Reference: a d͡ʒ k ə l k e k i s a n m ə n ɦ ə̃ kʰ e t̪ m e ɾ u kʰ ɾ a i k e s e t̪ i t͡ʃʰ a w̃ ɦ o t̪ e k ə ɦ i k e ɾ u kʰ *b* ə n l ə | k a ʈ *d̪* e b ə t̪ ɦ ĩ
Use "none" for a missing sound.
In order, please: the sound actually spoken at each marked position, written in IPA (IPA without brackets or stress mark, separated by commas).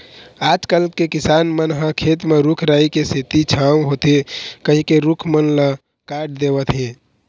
m, d̪